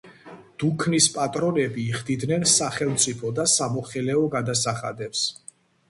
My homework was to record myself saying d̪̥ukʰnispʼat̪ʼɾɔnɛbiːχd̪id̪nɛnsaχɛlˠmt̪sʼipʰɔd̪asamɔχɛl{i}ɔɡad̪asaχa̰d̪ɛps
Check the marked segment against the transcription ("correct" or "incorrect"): incorrect